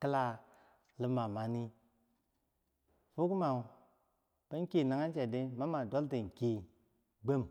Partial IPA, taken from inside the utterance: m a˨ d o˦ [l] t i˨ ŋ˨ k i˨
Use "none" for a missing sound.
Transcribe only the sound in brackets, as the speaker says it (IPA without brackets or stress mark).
l